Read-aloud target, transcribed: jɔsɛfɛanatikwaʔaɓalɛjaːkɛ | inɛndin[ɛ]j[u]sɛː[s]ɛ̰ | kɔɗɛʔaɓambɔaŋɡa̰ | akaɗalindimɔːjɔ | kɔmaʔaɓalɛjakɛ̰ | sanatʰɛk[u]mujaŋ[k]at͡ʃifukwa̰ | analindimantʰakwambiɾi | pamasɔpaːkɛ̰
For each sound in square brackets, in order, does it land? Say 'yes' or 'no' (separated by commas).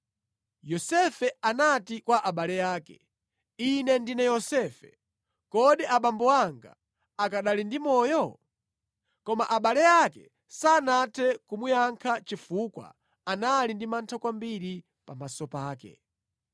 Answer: yes, no, no, yes, no